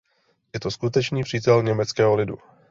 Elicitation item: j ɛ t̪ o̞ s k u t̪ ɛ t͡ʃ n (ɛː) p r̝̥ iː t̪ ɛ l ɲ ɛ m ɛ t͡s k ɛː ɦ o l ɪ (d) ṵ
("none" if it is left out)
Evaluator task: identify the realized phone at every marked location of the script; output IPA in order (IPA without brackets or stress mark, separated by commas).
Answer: iː, d